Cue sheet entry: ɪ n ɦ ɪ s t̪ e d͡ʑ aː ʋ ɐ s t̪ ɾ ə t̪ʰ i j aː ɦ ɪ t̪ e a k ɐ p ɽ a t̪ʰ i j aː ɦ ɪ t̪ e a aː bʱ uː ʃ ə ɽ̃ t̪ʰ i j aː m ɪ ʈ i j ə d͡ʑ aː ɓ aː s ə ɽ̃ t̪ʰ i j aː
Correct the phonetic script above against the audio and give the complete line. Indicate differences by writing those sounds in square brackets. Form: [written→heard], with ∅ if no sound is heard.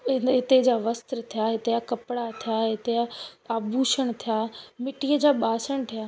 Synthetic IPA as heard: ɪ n ɦ ɪ [s→∅] t̪ e d͡ʑ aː ʋ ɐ s t̪ ɾ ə t̪ʰ i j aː ɦ ɪ t̪ e a k ɐ p ɽ a t̪ʰ i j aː ɦ ɪ t̪ e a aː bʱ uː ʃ ə ɽ̃ t̪ʰ i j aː m ɪ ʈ i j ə d͡ʑ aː ɓ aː s ə ɽ̃ t̪ʰ i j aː